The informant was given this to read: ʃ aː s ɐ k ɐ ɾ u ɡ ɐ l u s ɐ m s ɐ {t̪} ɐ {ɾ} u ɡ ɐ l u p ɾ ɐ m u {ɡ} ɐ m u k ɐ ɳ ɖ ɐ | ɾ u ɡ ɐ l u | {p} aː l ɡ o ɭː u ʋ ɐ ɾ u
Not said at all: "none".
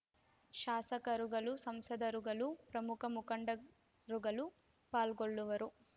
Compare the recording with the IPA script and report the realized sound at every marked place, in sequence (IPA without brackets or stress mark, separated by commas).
d̪, ɾ, k, p